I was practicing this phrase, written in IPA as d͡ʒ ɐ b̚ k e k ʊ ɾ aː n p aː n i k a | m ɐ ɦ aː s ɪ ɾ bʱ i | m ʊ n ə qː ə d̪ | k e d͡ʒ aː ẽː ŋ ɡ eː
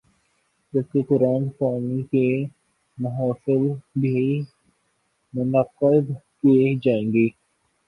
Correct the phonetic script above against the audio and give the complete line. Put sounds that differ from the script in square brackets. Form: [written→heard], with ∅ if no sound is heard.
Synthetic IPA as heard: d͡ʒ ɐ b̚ k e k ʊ ɾ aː n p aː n i k [a→e] | m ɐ ɦ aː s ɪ [ɾ→l] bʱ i | m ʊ n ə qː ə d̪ | k e d͡ʒ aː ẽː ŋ ɡ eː